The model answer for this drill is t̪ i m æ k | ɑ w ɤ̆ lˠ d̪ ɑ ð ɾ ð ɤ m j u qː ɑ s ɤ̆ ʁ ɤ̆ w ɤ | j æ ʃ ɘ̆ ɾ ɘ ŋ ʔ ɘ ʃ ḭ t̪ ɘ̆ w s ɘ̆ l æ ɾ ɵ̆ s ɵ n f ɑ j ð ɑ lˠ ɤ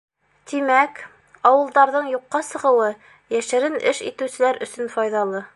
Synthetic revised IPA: t̪ i m æ k | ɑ w ɤ̆ lˠ d̪ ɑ ɾ ð ɤ ɴ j u qː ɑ s ɤ̆ ʁ ɤ̆ w ɤ | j æ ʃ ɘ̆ ɾ ɘ n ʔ ɘ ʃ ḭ t̪ ɘ̆ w s ɘ̆ l æ ɾ ɵ̆ s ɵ n f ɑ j ð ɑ lˠ ɤ